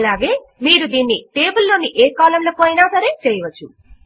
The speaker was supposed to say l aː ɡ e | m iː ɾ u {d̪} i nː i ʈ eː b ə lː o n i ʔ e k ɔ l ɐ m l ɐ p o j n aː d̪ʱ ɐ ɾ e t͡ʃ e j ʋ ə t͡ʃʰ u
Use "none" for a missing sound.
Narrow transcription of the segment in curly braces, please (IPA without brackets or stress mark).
d̪